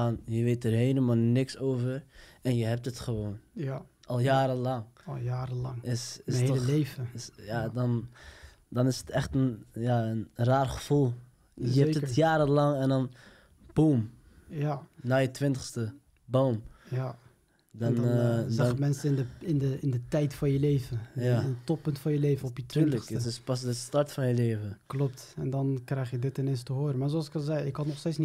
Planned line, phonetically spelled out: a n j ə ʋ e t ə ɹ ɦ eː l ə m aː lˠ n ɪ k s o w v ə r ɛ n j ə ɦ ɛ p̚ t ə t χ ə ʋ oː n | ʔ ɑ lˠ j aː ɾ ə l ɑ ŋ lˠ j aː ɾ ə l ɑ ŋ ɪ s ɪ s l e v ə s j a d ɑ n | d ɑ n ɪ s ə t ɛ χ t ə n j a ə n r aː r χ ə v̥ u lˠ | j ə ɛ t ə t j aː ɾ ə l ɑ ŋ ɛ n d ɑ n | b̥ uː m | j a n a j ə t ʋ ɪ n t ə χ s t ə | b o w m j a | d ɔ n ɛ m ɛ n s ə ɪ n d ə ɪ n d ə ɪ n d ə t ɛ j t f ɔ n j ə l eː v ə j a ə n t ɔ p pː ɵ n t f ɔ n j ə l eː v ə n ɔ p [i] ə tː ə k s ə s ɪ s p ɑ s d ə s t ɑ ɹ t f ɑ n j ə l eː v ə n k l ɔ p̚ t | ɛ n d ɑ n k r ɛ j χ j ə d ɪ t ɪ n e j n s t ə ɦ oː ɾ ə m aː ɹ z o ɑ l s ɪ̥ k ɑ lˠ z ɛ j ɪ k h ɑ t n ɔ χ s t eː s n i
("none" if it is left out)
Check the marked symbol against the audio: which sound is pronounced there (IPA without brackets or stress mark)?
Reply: j